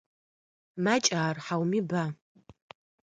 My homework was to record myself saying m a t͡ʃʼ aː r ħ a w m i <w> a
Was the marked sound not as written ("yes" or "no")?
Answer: yes